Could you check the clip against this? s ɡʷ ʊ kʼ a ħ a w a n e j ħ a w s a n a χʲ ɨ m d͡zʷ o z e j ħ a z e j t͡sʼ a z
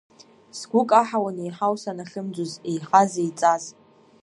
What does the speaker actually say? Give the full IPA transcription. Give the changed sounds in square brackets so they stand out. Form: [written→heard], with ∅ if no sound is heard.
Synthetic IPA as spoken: s ɡʷ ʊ kʼ a ħ a w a n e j ħ a w s a n a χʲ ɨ m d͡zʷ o z e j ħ a z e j t͡sʼ a z